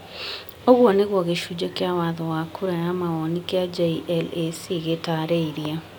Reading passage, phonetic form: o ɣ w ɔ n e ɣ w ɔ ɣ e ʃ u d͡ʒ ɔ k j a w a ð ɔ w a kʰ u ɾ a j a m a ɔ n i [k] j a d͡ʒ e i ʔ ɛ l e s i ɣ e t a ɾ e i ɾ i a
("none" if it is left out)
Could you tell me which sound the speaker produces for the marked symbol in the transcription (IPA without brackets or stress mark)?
k